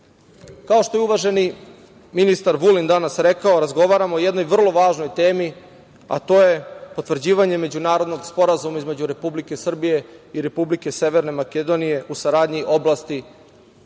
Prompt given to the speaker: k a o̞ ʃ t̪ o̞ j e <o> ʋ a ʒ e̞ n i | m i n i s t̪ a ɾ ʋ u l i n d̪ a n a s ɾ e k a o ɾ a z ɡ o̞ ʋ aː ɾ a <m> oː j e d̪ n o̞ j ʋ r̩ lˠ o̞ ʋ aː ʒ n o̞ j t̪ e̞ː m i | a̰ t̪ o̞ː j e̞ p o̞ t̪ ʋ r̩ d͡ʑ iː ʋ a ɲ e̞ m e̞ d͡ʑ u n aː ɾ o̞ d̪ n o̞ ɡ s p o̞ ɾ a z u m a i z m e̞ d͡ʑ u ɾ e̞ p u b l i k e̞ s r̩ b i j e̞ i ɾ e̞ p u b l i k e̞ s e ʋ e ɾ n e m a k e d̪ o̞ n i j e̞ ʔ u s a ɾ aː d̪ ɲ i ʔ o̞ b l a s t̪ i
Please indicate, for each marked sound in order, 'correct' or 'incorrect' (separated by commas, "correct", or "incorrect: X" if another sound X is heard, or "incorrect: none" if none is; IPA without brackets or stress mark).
incorrect: u, correct